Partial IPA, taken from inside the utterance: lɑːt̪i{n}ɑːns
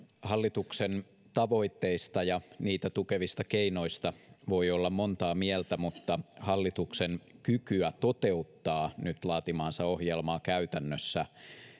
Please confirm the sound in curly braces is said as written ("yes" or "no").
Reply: no